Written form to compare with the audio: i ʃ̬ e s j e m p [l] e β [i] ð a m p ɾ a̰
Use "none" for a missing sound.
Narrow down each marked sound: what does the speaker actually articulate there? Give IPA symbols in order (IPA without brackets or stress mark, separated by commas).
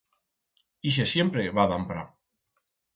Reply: ɾ, a